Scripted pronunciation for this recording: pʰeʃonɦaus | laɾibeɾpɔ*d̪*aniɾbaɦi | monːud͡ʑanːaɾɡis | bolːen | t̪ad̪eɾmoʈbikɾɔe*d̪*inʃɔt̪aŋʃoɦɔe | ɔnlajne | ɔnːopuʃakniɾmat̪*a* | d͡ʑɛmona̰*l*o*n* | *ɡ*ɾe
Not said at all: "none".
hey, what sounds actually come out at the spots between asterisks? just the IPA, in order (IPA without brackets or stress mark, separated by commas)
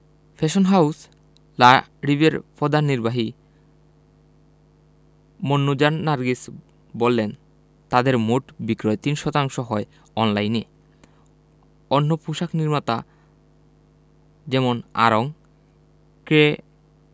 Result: d̪, t̪, a, ɾ, ŋ, k